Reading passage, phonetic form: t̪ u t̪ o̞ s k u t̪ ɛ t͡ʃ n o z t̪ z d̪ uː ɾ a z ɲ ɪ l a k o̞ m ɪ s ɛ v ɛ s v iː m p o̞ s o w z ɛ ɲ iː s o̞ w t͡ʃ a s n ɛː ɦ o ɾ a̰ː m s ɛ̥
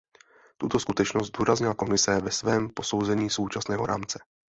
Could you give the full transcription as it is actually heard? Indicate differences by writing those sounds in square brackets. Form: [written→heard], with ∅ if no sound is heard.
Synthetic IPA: t̪ u t̪ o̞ s k u t̪ ɛ t͡ʃ n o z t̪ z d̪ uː ɾ a z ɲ ɪ l a k o̞ m ɪ s ɛ v ɛ s v [iː→ɛː] m p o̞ s o w z ɛ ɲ iː s o̞ w t͡ʃ a s n ɛː ɦ o ɾ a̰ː m [s→t͡s] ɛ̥